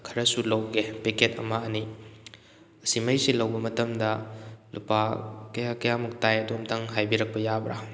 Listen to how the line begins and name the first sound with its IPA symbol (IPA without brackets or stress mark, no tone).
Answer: kʰ